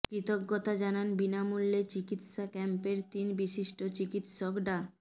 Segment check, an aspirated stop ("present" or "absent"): absent